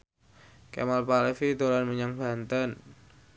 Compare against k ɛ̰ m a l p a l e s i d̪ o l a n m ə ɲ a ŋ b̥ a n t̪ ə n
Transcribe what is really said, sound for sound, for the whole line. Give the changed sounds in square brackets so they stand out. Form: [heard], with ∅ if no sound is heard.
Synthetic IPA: k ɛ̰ m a l p a l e [f] i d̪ o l a n m ə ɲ a ŋ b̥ a n t̪ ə n

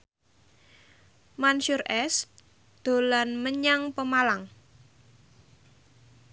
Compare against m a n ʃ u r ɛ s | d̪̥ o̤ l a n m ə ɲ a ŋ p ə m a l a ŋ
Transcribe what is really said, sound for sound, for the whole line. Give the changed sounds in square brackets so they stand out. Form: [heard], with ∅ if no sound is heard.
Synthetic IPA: m a n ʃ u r ɛ s | d̪̥ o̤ l a n m ə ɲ a ŋ p ə m a l a ŋ

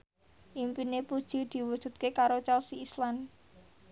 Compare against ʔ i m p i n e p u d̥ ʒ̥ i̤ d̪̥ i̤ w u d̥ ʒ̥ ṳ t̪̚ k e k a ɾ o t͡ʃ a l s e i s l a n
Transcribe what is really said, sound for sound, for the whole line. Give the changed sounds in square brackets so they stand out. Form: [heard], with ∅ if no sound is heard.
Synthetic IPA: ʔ i m p i n e p u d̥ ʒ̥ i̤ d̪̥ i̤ w u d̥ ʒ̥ ṳ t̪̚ k e k a ɾ o t͡ʃ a l s [i] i s l a n

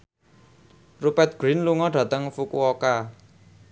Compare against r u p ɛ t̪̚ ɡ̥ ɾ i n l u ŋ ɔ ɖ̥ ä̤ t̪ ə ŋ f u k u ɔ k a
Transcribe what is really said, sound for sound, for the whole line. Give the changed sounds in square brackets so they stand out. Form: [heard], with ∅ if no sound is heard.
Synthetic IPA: r u p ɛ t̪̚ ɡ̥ ɾ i n l u ŋ ɔ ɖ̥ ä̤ t̪ ə ŋ f u k u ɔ k a

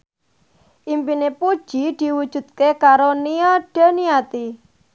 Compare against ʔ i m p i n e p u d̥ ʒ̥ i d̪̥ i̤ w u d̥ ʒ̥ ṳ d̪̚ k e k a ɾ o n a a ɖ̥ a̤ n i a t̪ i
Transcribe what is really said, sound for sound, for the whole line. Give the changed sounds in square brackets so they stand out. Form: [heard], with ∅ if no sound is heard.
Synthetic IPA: ʔ i m p i n e p u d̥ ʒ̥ i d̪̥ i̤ w u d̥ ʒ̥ ṳ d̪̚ k e k a ɾ o n [i] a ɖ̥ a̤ n i a t̪ i

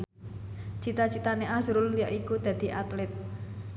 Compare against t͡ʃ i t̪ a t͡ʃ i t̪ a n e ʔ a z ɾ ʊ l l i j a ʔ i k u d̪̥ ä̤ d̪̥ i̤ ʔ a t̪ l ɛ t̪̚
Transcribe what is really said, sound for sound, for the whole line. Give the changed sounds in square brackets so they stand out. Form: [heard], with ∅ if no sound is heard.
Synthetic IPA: t͡ʃ i t̪ a t͡ʃ i t̪ a n e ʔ a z ɾ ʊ l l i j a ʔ i k u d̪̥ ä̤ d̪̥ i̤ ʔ a t̪ l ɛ t̪̚

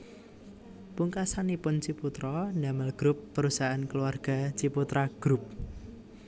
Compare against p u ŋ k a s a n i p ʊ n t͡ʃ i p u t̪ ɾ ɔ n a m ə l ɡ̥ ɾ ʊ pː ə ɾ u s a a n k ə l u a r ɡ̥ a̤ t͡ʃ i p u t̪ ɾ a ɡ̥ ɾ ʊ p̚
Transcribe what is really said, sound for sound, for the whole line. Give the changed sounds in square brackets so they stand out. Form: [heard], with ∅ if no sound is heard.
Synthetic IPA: p u ŋ k a s a n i p ʊ n t͡ʃ i p u t̪ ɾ ɔ n a m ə l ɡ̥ ɾ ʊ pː ə ɾ u s a a n k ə l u a r ɡ̥ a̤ t͡ʃ i p u t̪ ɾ a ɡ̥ ɾ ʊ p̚

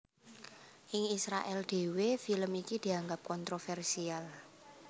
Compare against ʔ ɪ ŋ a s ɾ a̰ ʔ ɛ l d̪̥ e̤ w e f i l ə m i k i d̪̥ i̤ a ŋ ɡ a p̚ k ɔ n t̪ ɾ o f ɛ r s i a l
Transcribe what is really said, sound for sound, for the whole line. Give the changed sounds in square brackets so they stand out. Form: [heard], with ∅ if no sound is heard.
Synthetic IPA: ʔ ɪ ŋ [i] s ɾ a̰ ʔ ɛ l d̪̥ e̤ w e f i l ə m i k i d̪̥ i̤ a ŋ ɡ a p̚ k ɔ n t̪ ɾ o f ɛ r s i a l

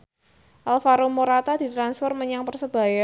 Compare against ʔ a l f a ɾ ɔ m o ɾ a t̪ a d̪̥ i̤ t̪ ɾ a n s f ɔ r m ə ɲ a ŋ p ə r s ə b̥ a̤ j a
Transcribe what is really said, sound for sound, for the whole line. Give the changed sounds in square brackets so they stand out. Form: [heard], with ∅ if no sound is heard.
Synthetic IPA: ʔ a l f a ɾ [o] m o ɾ a t̪ a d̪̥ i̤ t̪ ɾ a n s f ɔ r m ə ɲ a ŋ p ə r s ə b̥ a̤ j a

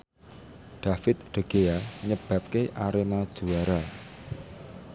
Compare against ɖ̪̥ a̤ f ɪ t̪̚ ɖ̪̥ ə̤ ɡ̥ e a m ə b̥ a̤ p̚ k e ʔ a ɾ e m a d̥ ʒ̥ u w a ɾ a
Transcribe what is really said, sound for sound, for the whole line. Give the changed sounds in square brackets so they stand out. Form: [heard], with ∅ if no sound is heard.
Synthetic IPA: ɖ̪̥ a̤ f ɪ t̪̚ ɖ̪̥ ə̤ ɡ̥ e a [ɲ] ə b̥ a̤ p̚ k e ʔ a ɾ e m a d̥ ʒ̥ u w a ɾ a

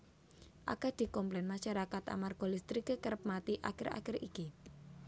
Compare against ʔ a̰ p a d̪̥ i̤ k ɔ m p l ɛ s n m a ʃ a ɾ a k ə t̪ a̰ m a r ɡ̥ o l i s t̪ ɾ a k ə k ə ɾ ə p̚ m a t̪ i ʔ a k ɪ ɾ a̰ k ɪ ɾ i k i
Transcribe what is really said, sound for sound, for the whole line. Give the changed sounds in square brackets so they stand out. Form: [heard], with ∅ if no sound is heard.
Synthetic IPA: ʔ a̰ [k] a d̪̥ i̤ k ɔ m p l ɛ [∅] n m a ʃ a ɾ a k [a] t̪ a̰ m a r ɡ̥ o l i s t̪ ɾ [i] k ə k ə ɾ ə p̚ m a t̪ i ʔ a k ɪ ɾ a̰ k ɪ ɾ i k i

